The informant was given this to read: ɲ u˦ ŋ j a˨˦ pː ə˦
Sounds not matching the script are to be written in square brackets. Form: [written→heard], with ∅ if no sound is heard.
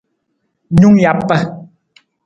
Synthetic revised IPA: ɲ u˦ ŋ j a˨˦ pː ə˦